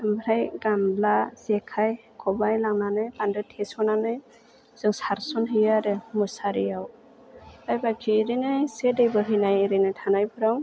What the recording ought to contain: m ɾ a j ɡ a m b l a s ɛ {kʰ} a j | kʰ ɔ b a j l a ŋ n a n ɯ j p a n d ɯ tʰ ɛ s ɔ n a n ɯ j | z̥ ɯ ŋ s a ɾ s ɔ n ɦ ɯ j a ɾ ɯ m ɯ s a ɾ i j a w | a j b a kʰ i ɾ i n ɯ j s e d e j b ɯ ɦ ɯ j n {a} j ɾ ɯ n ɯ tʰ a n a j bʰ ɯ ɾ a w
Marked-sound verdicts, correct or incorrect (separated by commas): correct, correct